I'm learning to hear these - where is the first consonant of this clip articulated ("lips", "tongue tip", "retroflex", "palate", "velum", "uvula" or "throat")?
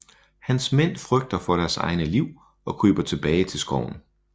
throat